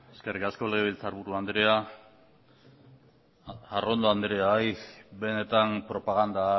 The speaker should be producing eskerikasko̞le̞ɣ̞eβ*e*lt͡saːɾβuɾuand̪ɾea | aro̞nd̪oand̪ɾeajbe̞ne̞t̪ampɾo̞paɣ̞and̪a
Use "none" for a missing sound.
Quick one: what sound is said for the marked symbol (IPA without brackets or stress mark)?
i